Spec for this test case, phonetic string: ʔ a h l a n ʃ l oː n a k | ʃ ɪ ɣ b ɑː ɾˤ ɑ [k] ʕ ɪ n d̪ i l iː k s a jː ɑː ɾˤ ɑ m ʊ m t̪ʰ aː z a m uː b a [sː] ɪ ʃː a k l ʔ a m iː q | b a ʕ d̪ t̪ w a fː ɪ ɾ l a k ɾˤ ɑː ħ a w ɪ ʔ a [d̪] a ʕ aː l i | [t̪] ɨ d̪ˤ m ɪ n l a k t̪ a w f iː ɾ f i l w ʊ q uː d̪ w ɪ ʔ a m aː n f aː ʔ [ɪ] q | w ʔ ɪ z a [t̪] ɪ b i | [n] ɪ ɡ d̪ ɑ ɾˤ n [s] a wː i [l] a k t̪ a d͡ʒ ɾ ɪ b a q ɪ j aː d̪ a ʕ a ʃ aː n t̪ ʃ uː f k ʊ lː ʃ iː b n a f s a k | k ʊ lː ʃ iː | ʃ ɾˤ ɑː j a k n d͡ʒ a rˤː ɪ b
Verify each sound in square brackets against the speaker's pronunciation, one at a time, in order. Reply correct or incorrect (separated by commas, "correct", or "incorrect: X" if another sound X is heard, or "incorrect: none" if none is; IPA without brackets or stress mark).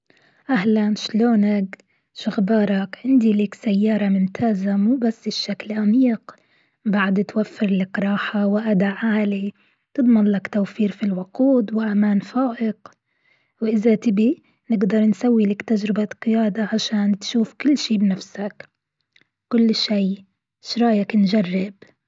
correct, correct, correct, correct, correct, correct, correct, correct, correct